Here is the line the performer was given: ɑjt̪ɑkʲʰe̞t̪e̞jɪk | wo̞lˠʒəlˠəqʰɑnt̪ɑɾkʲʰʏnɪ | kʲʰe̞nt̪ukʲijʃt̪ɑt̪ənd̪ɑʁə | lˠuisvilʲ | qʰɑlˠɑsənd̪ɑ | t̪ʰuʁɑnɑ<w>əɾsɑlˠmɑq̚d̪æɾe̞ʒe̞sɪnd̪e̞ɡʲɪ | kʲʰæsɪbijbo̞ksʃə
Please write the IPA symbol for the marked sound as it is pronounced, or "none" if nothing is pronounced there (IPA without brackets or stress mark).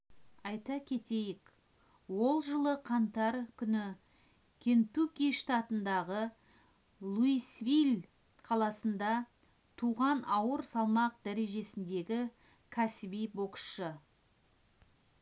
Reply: w